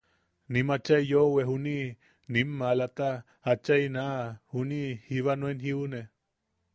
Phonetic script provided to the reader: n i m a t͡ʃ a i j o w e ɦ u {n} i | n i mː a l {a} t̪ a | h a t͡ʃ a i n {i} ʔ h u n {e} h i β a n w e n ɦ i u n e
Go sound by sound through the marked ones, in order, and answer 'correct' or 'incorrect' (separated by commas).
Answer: correct, correct, incorrect, incorrect